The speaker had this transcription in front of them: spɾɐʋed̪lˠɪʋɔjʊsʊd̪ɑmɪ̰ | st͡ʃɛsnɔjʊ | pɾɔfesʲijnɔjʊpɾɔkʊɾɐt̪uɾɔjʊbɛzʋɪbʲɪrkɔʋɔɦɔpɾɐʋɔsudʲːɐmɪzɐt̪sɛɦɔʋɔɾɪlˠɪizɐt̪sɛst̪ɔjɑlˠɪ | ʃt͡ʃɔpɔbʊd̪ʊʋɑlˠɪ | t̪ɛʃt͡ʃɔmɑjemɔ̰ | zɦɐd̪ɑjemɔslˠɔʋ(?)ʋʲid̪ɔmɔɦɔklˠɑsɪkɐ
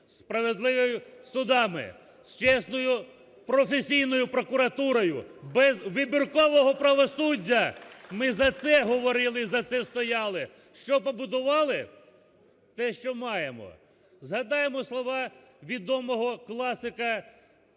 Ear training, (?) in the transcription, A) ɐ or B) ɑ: B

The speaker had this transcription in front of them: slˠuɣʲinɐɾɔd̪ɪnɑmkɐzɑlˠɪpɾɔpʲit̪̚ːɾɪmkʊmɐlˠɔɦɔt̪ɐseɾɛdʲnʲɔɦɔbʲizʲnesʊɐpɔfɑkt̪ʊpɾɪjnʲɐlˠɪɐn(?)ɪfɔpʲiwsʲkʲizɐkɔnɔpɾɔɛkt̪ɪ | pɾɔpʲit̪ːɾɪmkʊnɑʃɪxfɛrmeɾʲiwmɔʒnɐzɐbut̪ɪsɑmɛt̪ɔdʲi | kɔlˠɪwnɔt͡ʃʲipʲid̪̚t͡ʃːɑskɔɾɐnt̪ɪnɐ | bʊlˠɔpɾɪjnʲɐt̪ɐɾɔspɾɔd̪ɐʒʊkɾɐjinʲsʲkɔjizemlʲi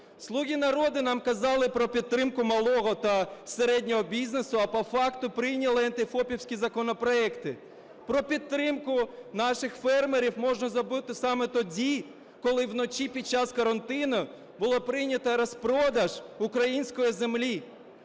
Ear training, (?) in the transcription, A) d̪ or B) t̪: B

